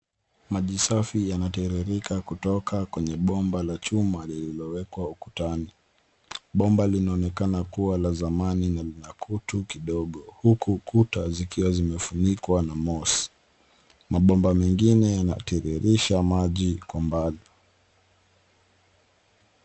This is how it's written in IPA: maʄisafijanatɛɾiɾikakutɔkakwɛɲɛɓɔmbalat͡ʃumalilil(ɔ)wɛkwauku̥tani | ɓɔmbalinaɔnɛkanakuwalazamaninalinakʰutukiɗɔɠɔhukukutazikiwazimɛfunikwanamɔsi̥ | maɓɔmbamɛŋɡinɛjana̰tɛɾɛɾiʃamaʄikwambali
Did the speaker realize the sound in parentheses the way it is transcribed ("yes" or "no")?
yes